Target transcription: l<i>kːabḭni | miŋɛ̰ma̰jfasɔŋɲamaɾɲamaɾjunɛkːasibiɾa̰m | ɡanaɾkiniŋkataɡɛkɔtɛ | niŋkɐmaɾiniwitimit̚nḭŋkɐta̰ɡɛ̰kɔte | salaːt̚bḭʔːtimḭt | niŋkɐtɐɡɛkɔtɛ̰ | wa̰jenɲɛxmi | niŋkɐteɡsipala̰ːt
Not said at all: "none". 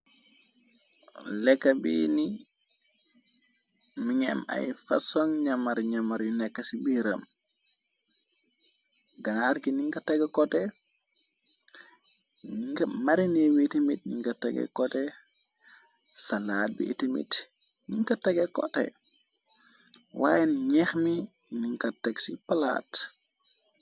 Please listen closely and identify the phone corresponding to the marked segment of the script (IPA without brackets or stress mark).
ɛ